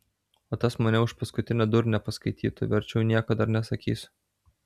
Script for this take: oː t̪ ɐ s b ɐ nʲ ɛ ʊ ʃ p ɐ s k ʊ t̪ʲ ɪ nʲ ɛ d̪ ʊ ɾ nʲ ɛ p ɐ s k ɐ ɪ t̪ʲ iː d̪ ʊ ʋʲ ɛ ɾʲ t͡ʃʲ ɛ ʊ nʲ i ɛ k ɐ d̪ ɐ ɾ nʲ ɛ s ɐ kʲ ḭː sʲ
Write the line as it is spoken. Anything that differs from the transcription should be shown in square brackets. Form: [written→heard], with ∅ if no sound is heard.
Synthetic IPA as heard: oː t̪ ɐ s [b→m] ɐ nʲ ɛ ʊ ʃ p ɐ s k ʊ t̪ʲ ɪ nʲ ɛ d̪ ʊ ɾ nʲ ɛ p ɐ s k ɐ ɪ t̪ʲ iː [d̪→t̪] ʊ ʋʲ ɛ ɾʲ t͡ʃʲ ɛ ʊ nʲ i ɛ k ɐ d̪ ɐ ɾ nʲ ɛ s ɐ kʲ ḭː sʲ